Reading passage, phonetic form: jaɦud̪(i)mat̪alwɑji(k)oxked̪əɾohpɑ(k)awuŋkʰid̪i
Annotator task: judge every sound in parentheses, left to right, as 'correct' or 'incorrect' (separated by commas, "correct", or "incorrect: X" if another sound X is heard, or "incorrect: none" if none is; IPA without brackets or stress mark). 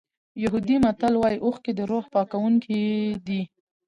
correct, incorrect: ʔ, correct